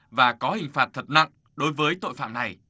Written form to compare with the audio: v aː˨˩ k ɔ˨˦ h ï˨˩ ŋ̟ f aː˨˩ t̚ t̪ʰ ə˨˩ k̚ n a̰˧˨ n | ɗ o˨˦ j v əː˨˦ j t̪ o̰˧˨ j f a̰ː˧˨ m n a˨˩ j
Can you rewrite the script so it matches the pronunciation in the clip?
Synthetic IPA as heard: v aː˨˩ k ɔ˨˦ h ï˨˩ ŋ̟ f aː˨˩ t̚ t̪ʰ ə˨˩ t̚ n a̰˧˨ ŋ | ɗ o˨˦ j v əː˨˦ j t̪ o̰˧˨ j f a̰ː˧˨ m n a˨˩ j